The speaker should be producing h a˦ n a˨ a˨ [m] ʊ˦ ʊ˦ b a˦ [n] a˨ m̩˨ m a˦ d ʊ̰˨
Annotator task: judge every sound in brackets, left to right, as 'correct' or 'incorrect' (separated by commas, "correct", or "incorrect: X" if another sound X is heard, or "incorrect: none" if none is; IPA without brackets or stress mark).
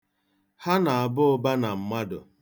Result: incorrect: b, correct